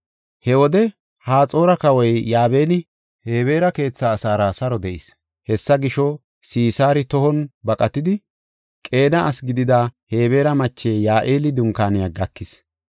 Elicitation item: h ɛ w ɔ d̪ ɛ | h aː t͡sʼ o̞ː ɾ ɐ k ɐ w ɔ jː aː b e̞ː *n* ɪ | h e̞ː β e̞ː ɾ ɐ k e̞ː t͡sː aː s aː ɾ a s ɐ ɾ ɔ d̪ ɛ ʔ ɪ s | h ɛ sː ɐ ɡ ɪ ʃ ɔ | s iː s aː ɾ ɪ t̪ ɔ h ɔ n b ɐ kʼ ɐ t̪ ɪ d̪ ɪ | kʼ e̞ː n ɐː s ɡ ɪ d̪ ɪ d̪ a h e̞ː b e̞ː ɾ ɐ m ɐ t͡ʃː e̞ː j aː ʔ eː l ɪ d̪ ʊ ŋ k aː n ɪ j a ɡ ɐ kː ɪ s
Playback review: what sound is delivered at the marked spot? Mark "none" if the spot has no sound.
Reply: n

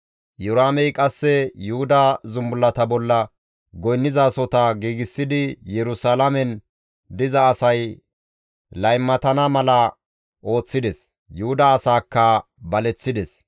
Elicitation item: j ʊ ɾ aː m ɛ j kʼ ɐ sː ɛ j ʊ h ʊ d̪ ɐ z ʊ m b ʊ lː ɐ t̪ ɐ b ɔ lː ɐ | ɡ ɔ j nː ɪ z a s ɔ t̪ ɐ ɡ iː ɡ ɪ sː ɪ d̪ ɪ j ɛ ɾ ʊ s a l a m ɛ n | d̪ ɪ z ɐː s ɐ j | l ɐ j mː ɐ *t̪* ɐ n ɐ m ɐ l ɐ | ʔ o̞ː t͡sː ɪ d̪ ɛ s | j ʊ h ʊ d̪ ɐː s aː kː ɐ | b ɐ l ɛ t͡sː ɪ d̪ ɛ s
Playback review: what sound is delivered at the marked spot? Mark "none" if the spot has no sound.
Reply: t̪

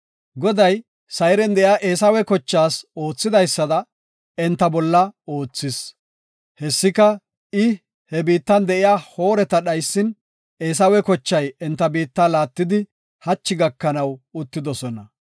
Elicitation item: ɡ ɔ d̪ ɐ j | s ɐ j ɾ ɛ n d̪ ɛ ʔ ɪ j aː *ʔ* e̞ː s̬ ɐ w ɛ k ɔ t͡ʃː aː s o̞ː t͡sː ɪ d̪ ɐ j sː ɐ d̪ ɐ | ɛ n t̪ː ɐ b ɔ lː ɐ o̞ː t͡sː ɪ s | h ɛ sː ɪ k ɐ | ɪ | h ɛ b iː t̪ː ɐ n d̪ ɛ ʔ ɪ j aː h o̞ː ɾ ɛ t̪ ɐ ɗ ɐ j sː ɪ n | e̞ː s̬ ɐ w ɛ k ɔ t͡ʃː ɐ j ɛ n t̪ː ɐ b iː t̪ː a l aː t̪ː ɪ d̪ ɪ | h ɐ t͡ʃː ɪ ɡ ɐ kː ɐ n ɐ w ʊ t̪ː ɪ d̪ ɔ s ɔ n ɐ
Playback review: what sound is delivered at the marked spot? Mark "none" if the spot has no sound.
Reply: ʔ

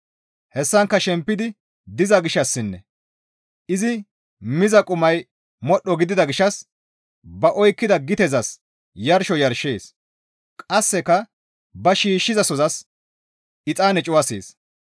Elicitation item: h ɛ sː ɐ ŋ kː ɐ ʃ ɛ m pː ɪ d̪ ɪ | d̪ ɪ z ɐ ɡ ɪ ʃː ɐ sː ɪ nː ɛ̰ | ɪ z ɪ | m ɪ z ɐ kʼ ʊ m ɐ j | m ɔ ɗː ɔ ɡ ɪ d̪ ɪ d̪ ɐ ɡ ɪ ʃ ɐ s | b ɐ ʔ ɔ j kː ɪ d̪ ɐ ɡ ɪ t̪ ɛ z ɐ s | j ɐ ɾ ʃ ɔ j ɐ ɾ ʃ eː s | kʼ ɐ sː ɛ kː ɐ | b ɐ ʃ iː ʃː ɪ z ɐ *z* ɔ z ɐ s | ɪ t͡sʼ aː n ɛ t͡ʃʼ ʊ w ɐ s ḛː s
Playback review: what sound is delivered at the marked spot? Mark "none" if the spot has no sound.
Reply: s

